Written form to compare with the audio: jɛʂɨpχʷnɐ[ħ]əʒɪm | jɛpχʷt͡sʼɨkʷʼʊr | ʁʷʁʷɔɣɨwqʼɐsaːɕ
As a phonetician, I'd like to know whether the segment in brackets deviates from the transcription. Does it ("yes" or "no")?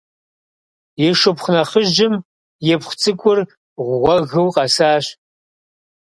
yes